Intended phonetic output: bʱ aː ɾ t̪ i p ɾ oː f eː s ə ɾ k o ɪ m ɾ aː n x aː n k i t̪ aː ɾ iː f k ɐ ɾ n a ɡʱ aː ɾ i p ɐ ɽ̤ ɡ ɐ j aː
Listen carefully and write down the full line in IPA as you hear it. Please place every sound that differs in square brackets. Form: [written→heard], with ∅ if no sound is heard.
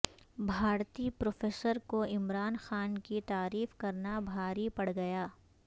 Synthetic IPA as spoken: bʱ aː ɾ t̪ i p ɾ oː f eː s ə ɾ k o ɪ m ɾ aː n x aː n k i t̪ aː ɾ iː f k ɐ ɾ n a [ɡʱ→bʱ] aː ɾ i p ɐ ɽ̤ ɡ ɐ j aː